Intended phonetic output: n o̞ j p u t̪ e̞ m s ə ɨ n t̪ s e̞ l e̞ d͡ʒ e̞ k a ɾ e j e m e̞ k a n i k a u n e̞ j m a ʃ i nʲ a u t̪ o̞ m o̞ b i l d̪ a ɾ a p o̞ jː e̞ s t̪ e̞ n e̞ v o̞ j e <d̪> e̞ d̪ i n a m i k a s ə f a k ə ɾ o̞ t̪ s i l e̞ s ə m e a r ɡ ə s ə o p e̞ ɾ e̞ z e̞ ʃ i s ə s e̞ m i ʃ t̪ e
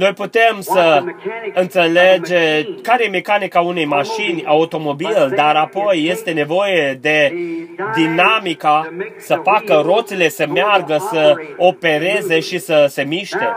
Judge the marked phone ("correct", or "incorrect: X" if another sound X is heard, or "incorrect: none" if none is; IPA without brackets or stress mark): correct